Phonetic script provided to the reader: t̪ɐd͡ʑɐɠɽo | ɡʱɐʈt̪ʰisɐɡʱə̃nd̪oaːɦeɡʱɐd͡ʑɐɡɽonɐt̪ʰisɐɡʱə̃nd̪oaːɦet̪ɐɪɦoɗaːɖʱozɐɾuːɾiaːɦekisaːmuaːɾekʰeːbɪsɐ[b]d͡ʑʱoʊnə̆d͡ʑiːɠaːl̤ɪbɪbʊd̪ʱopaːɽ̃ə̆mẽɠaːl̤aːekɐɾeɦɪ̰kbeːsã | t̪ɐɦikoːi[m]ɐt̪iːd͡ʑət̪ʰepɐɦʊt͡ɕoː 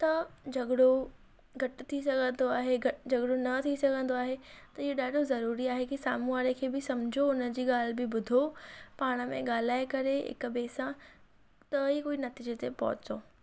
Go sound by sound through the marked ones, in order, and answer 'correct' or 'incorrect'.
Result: incorrect: m, incorrect: n

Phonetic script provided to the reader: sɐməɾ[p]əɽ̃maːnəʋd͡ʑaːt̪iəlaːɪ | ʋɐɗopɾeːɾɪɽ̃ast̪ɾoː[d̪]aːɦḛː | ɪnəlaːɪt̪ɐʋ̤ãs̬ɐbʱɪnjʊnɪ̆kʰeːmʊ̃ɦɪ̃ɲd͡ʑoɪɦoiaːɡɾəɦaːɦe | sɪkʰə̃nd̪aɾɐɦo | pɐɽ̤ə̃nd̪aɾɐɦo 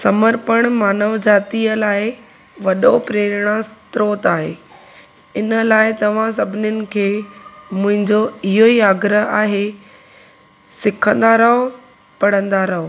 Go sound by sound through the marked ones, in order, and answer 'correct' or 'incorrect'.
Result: correct, incorrect: t̪

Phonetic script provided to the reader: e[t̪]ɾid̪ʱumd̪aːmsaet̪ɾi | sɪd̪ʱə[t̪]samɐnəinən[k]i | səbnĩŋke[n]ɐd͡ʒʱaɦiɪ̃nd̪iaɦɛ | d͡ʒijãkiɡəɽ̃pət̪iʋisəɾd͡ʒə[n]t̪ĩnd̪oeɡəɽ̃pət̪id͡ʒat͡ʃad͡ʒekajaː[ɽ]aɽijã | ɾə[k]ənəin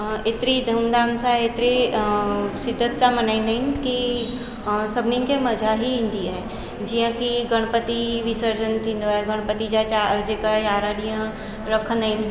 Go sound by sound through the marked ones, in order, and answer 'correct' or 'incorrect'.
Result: correct, correct, correct, incorrect: m, correct, incorrect: ɾ, incorrect: kʰ

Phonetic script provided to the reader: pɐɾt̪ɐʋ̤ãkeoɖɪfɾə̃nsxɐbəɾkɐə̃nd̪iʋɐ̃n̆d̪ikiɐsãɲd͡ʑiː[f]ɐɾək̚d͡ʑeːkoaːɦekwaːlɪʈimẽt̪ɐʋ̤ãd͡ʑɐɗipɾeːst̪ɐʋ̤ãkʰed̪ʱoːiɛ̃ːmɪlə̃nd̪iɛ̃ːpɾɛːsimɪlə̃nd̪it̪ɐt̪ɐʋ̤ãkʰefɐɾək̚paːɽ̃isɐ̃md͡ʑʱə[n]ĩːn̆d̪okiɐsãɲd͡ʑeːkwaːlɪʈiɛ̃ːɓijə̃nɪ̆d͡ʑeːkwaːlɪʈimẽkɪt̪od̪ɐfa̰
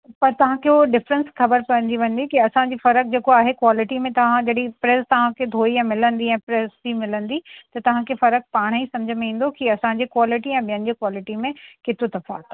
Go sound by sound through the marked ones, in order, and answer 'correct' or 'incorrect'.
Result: correct, incorrect: m

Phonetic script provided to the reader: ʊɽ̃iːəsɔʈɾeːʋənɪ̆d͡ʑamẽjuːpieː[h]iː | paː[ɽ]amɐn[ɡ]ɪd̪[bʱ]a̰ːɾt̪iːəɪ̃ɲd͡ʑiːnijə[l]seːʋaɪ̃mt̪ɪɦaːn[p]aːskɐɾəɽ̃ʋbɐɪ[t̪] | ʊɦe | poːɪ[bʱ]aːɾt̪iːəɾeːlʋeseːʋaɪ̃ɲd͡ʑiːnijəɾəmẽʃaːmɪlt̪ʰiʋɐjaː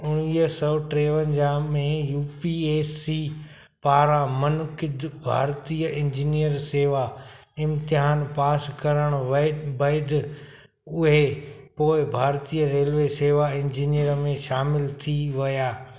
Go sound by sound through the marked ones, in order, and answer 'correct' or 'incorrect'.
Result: incorrect: s, incorrect: ɾ, incorrect: k, correct, incorrect: ɾ, correct, incorrect: d̪, correct

